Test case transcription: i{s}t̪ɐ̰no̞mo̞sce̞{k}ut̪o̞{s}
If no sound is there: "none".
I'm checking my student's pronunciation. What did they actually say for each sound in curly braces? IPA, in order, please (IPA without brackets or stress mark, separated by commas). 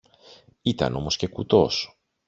none, k, s